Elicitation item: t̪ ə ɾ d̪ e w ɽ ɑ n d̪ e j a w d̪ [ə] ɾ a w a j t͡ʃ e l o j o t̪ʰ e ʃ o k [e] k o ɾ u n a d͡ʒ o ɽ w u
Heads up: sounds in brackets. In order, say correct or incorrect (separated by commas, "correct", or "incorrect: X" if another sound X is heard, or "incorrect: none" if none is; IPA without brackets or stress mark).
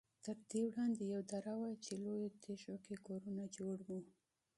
incorrect: a, correct